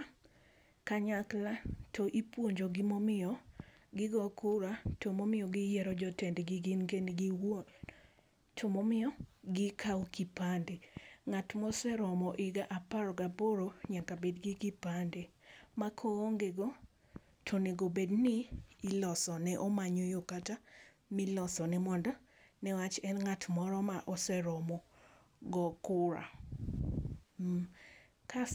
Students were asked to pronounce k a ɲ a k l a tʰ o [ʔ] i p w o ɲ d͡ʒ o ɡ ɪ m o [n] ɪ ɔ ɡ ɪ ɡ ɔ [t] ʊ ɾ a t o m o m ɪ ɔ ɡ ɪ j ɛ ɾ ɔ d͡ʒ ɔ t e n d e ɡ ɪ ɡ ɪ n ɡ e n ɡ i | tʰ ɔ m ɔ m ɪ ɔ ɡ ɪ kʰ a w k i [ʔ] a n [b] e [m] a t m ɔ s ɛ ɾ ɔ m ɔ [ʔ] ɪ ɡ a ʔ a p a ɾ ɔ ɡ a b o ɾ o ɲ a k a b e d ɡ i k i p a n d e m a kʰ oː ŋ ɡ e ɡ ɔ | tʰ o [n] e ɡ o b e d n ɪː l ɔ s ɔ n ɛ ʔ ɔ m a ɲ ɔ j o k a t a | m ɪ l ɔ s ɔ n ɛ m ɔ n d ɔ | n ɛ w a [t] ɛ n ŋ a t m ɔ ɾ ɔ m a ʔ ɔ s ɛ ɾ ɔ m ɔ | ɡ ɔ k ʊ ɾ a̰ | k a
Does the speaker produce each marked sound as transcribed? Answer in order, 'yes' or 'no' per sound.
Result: yes, no, no, no, no, no, yes, yes, no

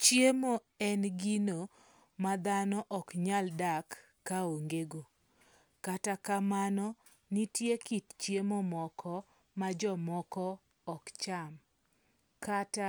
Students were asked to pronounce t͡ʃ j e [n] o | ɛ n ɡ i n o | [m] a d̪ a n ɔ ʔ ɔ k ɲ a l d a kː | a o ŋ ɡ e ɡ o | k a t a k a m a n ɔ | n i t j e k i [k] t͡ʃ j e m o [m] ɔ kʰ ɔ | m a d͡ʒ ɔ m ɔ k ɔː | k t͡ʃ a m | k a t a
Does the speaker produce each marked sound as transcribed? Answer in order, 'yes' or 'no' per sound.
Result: no, yes, no, yes

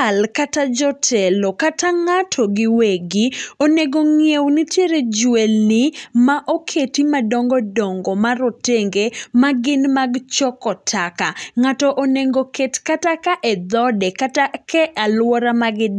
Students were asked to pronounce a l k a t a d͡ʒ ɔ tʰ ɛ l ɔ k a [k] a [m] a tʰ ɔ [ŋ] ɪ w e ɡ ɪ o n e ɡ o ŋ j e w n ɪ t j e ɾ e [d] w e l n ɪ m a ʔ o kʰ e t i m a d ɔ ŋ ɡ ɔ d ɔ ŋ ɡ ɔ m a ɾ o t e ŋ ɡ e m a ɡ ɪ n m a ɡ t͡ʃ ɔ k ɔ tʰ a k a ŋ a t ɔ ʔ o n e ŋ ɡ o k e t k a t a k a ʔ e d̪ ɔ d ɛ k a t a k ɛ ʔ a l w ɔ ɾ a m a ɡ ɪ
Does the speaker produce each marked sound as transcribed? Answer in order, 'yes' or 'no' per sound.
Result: no, no, no, no

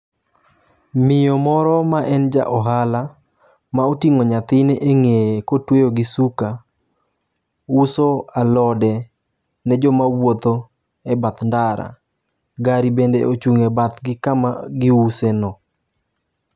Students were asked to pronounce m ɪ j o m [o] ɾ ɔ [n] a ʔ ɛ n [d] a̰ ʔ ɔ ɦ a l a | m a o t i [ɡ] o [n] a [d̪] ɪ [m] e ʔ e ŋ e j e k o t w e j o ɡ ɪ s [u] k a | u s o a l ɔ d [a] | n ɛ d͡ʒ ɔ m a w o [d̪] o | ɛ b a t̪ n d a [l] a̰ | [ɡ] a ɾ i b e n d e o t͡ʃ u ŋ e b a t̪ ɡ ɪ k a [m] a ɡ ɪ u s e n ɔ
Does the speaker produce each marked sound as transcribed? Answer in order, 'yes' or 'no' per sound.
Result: no, no, no, no, no, no, no, yes, no, no, no, yes, yes

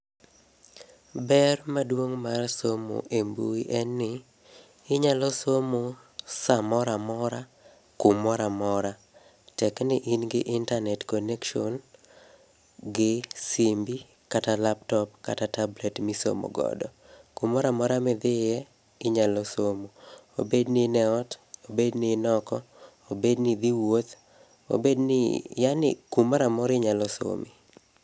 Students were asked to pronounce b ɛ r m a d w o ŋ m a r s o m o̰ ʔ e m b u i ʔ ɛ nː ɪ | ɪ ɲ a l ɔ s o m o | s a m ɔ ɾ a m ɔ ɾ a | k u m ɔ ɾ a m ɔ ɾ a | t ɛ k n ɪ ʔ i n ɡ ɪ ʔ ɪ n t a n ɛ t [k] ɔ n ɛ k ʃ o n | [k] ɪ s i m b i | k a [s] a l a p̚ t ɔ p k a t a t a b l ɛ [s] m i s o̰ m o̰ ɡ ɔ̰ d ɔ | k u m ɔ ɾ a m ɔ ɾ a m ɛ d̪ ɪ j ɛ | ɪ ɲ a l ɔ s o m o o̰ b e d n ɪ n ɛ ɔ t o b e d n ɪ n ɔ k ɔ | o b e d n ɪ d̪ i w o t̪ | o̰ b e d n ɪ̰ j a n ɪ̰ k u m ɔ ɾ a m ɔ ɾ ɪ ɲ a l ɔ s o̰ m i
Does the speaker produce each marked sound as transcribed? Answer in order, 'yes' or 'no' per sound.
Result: yes, no, no, no

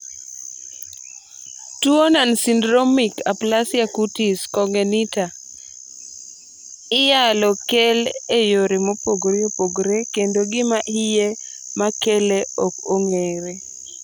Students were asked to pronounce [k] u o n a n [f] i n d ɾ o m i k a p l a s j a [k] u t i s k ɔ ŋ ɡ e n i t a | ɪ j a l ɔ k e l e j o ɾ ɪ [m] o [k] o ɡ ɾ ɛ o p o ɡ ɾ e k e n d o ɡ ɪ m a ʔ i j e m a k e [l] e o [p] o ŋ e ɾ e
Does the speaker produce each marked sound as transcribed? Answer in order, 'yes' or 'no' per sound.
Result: no, no, yes, yes, no, yes, no

